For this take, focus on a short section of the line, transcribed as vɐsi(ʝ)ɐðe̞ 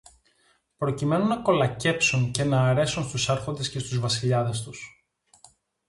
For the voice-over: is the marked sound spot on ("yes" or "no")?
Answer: no